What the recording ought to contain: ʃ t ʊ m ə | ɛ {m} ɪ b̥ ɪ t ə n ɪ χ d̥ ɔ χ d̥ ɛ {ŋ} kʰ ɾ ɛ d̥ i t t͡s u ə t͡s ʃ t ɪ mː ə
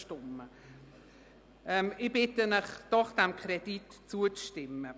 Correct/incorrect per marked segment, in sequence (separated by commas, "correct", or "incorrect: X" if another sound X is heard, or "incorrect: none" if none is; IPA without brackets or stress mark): correct, incorrect: m